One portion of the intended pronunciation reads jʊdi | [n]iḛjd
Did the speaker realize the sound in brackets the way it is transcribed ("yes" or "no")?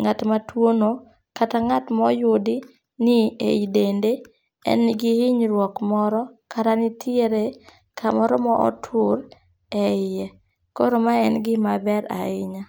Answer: yes